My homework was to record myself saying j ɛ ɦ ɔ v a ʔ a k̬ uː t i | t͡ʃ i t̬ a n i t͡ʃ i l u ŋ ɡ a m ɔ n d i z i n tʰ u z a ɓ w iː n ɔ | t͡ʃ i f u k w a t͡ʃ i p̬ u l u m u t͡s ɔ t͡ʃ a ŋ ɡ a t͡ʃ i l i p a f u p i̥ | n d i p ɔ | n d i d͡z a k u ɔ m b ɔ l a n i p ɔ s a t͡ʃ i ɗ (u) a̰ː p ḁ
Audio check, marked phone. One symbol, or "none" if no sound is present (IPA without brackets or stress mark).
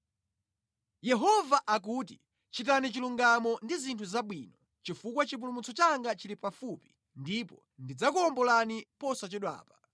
w